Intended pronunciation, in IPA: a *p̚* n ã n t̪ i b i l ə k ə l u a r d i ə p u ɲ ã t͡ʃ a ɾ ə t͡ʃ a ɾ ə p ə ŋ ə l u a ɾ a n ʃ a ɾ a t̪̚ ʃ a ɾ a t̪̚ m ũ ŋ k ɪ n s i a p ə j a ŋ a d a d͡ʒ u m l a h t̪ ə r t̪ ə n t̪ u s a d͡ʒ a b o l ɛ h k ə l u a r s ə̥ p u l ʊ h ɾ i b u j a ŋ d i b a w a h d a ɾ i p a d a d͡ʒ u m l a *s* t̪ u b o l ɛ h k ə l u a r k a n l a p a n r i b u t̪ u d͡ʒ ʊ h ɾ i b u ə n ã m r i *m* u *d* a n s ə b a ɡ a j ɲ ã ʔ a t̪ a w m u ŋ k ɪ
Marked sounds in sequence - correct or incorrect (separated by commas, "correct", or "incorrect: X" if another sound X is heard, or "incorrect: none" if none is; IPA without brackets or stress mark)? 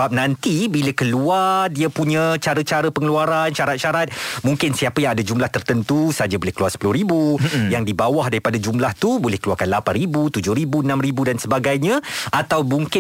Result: correct, incorrect: h, incorrect: b, correct